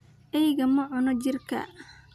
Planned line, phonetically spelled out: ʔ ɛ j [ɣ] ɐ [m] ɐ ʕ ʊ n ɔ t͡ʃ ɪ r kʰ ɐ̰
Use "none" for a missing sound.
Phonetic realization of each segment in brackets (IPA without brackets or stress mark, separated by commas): ɣ, m